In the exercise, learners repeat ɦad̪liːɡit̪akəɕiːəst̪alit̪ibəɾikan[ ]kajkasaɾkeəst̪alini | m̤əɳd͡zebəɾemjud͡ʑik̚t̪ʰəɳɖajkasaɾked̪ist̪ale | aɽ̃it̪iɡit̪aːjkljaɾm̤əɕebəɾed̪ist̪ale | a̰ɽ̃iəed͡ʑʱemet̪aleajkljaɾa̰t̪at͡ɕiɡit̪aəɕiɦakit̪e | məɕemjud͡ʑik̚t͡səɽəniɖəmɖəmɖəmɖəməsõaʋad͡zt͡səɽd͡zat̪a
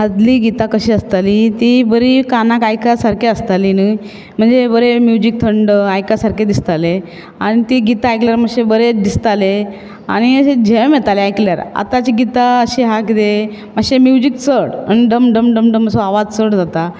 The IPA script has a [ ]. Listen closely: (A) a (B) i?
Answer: A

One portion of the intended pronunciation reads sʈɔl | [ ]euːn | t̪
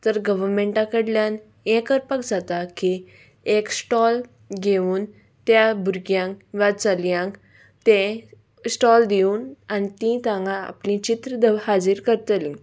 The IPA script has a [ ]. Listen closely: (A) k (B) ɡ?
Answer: B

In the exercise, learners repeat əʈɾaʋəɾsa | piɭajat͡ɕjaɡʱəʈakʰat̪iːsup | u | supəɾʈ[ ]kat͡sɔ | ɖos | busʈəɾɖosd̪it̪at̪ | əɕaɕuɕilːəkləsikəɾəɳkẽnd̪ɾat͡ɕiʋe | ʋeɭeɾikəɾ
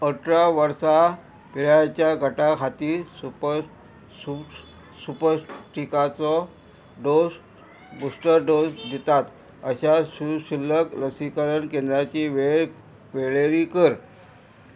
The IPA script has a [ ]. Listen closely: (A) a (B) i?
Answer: B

